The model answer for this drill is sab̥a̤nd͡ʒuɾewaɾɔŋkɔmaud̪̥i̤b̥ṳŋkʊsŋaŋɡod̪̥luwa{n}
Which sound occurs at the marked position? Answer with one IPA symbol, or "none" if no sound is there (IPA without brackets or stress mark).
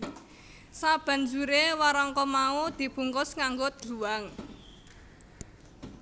ŋ